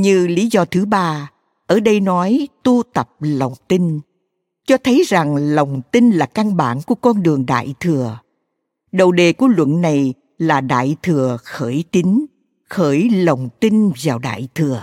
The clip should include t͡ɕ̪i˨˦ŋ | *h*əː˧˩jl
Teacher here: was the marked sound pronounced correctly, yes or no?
no